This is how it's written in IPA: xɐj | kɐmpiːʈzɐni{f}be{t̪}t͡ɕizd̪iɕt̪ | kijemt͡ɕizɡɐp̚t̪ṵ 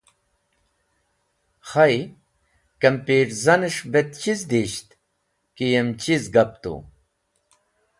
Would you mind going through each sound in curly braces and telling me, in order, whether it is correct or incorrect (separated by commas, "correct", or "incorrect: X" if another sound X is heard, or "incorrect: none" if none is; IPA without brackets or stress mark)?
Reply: incorrect: ʂ, correct